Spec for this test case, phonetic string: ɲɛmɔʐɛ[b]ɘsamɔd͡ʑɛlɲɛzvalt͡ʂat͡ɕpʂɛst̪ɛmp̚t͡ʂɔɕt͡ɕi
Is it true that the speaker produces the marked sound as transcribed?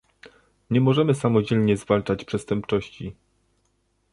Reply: no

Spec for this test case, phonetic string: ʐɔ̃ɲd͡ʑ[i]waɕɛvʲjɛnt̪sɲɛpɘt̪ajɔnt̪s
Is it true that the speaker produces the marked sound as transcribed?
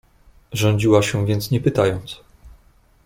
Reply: yes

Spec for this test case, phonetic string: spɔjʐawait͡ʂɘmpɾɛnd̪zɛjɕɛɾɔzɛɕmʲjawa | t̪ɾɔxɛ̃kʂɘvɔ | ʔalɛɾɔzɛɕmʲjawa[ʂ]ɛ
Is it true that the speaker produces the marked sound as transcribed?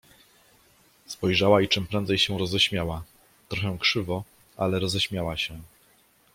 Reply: no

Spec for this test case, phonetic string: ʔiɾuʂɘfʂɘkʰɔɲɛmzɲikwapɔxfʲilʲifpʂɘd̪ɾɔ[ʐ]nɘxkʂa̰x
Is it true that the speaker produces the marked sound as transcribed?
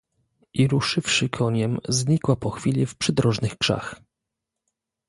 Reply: yes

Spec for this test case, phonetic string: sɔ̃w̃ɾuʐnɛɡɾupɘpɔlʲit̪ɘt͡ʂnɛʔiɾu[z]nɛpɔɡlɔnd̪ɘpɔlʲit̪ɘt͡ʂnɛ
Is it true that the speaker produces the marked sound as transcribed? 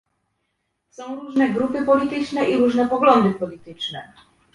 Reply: no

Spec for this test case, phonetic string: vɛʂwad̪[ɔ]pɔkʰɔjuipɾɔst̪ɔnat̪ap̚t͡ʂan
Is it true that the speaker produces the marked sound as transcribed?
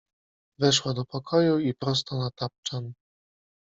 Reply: yes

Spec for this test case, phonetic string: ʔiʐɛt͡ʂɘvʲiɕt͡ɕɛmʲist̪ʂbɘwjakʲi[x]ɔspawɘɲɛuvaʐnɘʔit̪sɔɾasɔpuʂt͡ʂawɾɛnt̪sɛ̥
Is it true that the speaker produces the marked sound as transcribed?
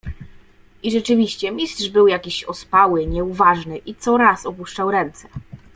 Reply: no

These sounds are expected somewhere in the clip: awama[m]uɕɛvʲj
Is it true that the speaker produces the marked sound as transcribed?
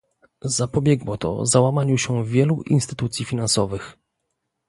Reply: no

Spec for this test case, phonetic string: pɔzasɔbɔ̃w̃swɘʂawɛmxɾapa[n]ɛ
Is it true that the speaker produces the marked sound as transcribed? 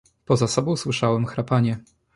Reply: no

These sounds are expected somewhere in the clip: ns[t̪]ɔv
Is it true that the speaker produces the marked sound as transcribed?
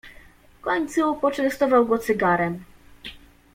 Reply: yes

